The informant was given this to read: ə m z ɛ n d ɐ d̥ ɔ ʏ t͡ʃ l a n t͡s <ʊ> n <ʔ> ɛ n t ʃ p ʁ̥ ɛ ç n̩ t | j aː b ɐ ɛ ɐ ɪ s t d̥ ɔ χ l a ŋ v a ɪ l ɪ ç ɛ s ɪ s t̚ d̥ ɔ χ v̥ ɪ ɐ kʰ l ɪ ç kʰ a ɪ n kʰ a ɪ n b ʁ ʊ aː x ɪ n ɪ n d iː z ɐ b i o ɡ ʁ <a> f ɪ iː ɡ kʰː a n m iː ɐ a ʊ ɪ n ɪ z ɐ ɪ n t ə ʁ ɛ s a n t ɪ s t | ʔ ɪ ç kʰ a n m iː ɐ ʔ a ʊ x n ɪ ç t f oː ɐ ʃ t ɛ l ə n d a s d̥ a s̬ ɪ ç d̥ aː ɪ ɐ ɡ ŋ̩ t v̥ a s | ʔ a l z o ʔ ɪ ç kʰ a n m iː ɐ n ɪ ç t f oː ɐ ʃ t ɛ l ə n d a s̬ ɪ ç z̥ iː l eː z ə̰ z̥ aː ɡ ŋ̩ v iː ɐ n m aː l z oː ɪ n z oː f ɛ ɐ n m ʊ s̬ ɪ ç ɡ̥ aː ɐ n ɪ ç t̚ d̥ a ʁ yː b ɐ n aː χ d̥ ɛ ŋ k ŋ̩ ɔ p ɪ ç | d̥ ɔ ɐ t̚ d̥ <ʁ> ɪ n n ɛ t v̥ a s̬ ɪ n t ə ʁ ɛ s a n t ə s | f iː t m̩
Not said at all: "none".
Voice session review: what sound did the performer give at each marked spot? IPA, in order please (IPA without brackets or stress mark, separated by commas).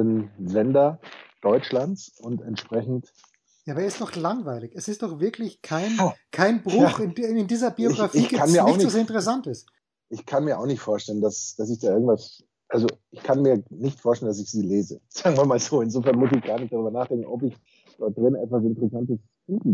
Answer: ʊ, t, a, ʁ